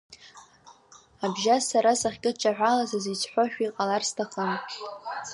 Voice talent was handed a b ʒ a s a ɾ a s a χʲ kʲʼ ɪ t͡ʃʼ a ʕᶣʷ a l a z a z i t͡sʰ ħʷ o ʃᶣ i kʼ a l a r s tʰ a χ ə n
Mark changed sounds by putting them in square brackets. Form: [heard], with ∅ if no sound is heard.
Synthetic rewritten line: a b ʒ a s a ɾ a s a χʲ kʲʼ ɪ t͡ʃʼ a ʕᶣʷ a l a z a z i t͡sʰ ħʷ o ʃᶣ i [qʼ] a l a r s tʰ a χ ə n